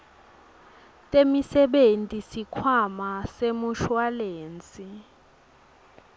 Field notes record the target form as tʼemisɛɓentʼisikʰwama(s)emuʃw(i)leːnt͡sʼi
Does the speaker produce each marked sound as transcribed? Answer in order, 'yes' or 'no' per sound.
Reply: yes, no

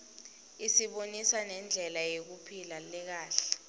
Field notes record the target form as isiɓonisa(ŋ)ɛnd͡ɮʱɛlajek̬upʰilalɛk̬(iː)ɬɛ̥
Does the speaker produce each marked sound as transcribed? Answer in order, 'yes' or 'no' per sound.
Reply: no, no

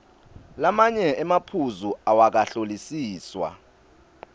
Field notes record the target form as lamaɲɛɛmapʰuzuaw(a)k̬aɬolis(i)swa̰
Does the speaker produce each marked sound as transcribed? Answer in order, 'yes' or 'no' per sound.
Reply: yes, no

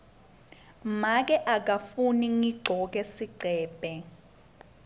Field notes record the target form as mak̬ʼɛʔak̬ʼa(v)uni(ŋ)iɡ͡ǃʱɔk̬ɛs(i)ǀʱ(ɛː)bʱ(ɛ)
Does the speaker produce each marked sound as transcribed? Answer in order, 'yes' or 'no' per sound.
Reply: no, yes, yes, yes, yes

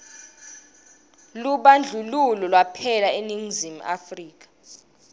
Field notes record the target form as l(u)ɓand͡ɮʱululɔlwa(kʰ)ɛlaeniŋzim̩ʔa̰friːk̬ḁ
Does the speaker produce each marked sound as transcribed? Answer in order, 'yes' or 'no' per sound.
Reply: yes, no

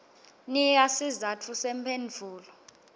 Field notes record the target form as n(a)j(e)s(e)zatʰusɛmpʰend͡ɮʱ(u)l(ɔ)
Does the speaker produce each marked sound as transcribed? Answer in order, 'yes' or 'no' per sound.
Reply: no, no, no, no, yes

